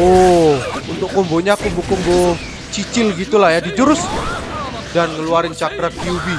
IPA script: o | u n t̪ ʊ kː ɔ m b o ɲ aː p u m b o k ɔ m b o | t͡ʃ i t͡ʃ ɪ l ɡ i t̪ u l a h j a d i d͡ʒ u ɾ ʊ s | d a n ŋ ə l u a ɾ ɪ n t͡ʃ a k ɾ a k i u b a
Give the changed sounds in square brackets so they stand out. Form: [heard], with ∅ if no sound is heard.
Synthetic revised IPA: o | u n t̪ ʊ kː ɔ m b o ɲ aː [k] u m b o k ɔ m b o | t͡ʃ i t͡ʃ ɪ l ɡ i t̪ u l a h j a d i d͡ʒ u ɾ ʊ s | d a n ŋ ə l u a ɾ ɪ n t͡ʃ a k ɾ a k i u b [i]